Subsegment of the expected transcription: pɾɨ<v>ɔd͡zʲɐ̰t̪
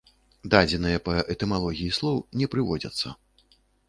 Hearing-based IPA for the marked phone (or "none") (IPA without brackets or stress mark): v